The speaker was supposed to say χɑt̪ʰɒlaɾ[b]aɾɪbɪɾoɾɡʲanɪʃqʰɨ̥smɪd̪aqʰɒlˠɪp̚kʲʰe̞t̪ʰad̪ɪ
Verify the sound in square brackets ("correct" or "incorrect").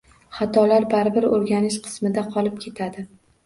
correct